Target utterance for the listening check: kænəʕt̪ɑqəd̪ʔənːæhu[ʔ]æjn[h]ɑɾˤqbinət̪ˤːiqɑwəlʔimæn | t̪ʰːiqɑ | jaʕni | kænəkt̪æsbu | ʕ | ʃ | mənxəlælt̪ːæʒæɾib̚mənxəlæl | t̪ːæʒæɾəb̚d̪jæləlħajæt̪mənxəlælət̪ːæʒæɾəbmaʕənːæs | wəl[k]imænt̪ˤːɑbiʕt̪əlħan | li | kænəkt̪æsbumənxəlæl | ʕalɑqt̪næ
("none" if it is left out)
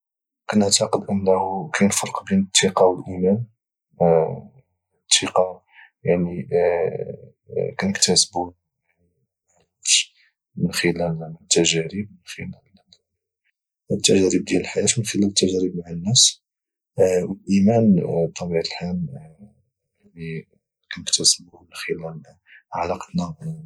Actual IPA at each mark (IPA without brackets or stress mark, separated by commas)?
k, f, ʔ